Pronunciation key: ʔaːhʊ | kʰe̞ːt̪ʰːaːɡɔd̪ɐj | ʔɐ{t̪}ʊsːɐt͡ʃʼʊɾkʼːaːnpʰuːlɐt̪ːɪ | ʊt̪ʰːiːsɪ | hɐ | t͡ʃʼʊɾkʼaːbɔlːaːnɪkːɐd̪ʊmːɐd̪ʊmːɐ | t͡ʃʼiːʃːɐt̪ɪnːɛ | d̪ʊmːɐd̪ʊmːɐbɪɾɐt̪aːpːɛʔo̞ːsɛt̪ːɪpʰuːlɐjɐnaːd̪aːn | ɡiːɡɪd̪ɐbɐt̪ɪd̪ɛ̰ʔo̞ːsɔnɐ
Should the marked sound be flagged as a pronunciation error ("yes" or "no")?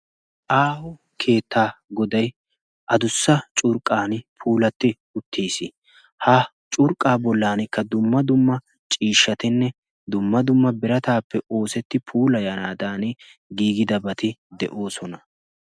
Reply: yes